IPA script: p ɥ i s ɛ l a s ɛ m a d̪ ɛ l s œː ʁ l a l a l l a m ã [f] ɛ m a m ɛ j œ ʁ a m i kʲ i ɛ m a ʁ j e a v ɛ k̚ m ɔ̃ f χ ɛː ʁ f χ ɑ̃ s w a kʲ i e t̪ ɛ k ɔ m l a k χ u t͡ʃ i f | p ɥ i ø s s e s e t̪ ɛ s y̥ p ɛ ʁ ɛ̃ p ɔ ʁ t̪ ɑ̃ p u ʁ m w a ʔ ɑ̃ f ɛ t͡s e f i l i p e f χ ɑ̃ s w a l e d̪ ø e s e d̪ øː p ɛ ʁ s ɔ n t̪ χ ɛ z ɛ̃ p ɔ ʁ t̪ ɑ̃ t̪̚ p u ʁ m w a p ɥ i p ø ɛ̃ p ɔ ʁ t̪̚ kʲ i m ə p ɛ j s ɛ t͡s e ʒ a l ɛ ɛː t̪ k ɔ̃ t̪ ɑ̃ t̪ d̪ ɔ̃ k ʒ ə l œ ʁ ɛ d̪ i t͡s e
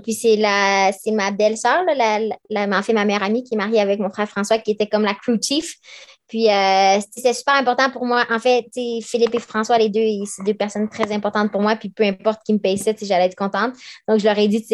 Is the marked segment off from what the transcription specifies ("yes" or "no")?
no